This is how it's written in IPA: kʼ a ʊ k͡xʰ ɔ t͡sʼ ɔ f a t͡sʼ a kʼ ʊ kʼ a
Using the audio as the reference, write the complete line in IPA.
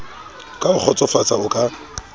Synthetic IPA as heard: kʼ a ʊ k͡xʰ ɔ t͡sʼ ɔ f a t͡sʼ a ʊ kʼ a